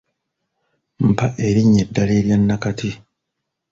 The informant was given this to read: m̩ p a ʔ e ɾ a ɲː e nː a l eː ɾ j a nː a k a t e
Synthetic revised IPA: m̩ p a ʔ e ɾ i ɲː e dː a l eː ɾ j a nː a k a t i